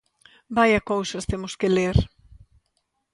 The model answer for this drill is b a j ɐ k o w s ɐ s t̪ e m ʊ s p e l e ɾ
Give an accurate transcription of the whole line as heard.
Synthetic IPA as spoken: b a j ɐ k o w s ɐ s t̪ e m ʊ s k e l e ɾ